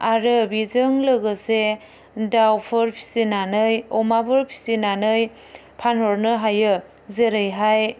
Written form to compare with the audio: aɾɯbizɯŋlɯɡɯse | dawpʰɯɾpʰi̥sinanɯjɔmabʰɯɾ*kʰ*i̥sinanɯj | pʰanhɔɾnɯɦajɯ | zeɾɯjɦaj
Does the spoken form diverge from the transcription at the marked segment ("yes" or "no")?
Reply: yes